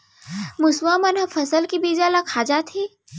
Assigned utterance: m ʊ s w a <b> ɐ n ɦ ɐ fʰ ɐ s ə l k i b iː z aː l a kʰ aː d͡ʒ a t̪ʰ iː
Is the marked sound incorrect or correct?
incorrect